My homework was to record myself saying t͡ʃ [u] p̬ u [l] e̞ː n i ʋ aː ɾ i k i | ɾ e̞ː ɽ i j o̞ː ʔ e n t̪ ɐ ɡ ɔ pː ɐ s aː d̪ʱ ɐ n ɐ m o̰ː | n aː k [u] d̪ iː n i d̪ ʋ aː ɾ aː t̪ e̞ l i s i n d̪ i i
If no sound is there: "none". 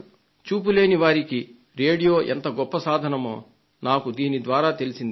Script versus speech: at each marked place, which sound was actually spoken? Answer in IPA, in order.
uː, l, u

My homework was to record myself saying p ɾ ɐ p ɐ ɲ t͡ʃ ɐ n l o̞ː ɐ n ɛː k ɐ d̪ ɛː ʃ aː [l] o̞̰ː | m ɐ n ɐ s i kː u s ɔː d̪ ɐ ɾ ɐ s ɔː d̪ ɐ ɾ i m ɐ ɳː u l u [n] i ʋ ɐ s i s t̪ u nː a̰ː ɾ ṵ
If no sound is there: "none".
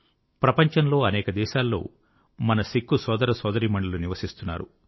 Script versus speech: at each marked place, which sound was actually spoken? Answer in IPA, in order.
lː, n

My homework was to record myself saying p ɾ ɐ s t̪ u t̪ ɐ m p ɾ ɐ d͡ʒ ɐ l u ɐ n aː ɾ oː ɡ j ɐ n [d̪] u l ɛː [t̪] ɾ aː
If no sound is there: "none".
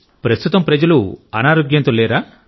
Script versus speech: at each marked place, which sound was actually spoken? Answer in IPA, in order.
t̪, none

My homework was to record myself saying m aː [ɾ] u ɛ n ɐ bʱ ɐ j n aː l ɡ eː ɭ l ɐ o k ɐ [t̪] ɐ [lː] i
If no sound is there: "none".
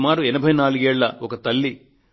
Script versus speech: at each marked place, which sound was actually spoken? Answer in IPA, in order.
ɾ, t̪, lː

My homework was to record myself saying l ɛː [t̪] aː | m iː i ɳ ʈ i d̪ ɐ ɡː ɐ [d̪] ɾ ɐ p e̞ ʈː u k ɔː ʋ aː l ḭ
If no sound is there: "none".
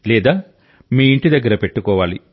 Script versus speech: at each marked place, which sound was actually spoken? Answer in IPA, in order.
d̪, none

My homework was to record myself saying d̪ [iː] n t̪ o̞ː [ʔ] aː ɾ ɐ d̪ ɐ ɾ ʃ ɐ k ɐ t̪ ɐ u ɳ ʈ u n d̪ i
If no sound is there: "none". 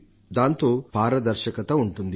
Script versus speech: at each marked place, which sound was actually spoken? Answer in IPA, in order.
aː, p

